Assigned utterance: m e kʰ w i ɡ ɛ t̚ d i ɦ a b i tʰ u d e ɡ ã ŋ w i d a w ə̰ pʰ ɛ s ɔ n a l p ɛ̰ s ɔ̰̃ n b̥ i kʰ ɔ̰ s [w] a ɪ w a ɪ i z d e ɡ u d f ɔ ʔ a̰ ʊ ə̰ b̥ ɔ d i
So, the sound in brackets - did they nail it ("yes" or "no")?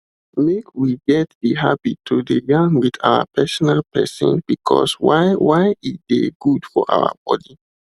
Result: yes